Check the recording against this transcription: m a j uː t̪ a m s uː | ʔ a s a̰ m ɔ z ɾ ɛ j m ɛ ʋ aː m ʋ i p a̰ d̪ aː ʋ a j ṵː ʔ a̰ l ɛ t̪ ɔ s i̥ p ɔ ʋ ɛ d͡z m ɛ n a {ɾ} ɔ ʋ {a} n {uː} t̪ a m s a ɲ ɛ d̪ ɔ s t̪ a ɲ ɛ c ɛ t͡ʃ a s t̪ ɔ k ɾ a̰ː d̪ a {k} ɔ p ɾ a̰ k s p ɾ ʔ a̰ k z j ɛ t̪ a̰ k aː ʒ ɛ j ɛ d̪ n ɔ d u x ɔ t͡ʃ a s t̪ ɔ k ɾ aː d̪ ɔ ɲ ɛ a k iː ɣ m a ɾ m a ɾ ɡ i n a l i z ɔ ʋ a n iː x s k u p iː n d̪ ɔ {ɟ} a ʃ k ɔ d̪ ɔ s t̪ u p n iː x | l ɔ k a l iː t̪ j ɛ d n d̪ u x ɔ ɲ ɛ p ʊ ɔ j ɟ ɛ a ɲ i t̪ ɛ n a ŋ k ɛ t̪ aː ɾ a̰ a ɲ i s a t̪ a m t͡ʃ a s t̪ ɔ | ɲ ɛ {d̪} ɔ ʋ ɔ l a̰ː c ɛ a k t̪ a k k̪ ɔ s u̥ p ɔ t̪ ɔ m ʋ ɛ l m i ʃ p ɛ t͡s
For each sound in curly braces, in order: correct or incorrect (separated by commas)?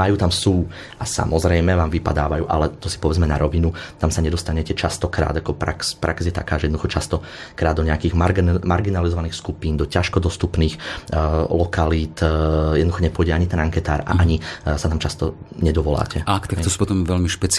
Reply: correct, incorrect, incorrect, correct, incorrect, correct